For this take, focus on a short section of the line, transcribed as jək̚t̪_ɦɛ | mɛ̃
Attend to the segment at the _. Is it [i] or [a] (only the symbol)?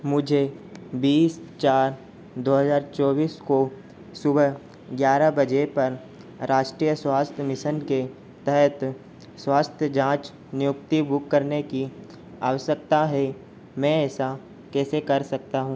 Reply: a